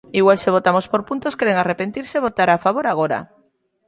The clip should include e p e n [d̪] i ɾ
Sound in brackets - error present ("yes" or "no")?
yes